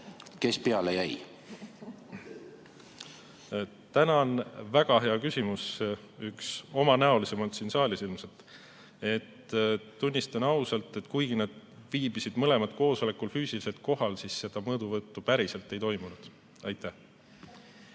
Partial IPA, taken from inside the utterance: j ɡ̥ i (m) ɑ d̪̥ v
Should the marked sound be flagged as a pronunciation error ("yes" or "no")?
yes